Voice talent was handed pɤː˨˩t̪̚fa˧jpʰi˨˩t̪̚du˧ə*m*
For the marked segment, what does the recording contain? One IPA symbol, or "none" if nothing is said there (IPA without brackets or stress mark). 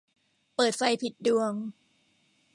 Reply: ŋ